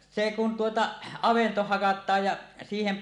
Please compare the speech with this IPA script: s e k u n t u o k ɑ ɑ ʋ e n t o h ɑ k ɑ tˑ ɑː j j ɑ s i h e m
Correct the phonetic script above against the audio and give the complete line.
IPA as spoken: s e k u n t u o t ɑ ɑ ʋ e n t o h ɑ k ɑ tˑ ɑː j j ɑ s iː h e m